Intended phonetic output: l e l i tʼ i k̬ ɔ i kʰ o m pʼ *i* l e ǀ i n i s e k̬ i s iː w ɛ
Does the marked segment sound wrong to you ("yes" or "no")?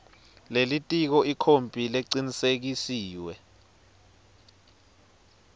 no